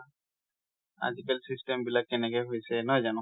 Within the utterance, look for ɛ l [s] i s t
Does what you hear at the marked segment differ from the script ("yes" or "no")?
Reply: no